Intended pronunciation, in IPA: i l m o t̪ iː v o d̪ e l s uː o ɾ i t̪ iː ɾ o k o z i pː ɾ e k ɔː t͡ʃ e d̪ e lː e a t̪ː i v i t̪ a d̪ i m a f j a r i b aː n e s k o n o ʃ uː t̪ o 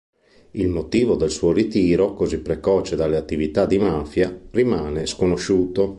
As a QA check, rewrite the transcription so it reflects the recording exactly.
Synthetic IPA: i l m o t̪ iː v o d̪ e l s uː o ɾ i t̪ iː ɾ o k o z i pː ɾ e k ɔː t͡ʃ e d̪ a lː e a t̪ː i v i t̪ a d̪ i m a f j a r i m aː n e s k o n o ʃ uː t̪ o